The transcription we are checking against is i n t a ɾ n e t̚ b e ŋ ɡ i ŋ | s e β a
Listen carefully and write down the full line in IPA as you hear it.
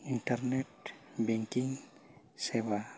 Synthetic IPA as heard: i n t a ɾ n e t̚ b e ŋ k i ŋ | s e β a